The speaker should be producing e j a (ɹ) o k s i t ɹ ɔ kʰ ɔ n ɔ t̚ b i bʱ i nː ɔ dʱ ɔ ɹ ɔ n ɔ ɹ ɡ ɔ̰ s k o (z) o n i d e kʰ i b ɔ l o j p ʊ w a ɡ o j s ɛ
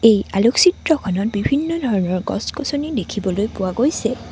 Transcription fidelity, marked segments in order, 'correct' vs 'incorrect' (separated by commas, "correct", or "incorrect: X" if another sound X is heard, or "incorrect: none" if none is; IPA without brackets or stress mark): incorrect: l, incorrect: s